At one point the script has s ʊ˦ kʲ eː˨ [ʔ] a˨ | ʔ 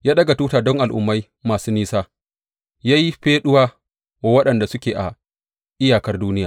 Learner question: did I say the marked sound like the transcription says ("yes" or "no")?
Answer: yes